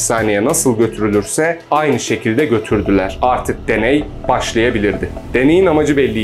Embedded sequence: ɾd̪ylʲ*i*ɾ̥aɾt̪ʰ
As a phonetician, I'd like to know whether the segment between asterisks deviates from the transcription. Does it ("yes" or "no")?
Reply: yes